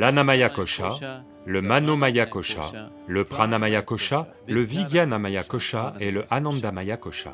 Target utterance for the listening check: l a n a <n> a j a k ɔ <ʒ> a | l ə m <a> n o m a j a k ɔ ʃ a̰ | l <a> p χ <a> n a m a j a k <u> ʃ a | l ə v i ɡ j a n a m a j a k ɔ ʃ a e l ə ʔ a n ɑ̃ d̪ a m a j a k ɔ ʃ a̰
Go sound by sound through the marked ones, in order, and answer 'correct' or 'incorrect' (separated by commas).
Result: incorrect, incorrect, correct, incorrect, correct, incorrect